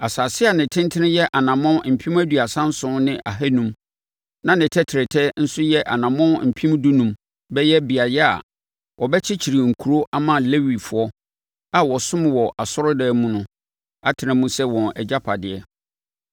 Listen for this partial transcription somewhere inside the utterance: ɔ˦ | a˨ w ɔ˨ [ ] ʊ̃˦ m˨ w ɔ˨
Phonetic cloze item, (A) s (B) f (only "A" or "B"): A